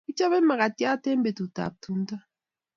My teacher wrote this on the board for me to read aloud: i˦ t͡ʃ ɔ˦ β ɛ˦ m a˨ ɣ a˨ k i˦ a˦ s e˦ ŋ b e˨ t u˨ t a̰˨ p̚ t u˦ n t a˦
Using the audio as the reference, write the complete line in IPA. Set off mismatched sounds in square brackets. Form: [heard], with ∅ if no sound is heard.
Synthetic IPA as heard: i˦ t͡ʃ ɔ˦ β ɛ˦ m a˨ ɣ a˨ [t] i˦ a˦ [t] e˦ [m] b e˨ t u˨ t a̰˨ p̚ t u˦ n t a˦